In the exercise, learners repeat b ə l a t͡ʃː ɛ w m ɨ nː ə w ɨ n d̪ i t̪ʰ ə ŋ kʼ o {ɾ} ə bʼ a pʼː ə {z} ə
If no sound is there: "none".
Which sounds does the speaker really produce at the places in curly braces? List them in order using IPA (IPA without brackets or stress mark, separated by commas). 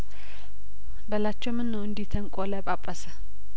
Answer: l, s